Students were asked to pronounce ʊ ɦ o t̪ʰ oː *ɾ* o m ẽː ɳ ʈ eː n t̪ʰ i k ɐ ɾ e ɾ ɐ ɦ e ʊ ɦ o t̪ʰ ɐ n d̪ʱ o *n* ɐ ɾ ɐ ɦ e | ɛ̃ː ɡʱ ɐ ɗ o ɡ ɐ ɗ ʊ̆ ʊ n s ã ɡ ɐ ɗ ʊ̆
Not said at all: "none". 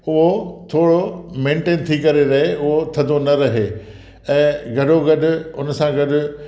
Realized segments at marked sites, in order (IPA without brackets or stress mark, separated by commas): ɽ, n